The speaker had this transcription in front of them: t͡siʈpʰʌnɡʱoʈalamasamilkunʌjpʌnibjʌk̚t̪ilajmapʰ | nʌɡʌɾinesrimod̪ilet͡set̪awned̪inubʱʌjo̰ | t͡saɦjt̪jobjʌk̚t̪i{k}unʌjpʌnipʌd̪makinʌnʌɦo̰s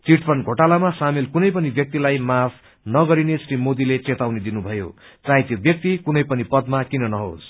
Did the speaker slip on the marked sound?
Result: no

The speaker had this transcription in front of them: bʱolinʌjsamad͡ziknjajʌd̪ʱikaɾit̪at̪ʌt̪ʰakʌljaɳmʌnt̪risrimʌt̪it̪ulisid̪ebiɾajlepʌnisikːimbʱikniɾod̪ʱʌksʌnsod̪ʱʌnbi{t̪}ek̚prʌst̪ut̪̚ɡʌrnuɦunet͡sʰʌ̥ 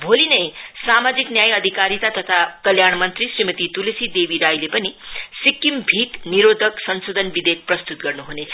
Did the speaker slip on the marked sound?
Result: yes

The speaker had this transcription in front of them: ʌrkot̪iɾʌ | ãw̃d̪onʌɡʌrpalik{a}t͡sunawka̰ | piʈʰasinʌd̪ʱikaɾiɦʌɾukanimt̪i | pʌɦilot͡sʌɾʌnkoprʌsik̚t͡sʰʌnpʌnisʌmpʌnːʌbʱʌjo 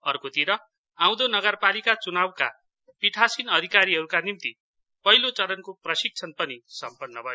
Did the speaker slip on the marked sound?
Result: no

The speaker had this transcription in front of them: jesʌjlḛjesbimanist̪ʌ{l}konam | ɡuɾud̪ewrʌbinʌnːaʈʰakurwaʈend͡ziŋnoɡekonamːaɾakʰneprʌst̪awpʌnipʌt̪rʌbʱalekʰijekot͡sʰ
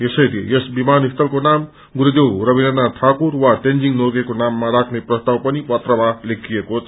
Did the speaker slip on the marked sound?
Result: no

